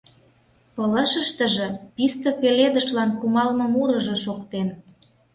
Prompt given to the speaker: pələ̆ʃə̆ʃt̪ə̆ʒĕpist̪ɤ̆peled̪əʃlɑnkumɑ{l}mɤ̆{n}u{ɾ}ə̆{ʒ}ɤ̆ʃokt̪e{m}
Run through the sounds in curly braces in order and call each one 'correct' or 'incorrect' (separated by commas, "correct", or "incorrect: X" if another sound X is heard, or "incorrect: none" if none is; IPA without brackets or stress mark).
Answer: correct, incorrect: m, correct, correct, incorrect: n